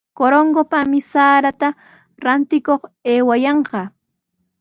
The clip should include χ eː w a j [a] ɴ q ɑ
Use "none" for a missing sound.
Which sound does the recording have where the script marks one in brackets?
ɑ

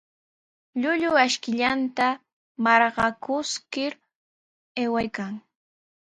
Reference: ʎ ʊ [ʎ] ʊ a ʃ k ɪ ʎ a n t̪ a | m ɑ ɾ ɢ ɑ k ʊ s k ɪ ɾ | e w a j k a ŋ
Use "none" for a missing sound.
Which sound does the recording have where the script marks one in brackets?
ʎ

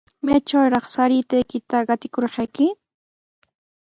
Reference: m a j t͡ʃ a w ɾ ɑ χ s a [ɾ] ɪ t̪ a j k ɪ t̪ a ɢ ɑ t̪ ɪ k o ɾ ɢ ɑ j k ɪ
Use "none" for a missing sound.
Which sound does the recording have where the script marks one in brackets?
ɾ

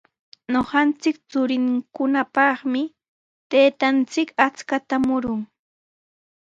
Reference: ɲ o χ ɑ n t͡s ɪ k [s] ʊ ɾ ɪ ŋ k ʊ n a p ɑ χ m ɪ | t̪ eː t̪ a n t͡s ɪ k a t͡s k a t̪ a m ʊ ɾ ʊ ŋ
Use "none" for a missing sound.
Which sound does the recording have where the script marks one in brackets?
t͡s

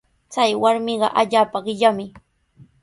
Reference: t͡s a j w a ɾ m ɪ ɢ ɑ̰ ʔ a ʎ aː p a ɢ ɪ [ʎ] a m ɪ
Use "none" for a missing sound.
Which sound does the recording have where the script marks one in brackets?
ʎ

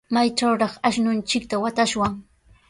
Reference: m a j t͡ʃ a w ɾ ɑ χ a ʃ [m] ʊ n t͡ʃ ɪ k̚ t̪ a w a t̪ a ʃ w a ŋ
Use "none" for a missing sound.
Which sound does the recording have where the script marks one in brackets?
n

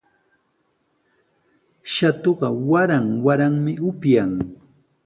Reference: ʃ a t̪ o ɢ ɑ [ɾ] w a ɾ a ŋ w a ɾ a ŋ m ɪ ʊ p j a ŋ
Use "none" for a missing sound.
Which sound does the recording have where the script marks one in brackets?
none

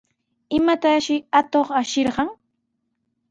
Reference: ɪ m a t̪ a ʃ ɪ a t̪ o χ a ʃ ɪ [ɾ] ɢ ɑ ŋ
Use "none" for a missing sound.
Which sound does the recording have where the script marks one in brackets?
ɾ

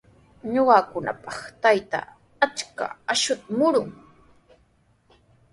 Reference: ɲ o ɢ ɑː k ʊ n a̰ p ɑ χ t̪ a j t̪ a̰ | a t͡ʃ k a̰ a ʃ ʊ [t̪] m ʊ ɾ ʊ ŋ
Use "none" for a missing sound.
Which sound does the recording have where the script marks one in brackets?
t̪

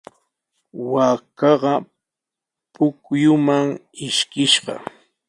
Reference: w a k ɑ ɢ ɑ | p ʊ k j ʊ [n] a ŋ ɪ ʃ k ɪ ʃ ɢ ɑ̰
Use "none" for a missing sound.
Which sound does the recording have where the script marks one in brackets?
m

